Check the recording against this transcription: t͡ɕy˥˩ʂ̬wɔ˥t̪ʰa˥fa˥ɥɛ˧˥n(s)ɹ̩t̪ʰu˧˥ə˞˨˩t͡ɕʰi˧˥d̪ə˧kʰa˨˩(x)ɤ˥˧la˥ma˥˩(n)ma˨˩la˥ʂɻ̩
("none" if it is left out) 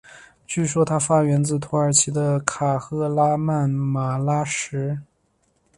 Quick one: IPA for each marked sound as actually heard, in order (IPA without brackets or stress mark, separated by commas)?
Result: t͡s, x, n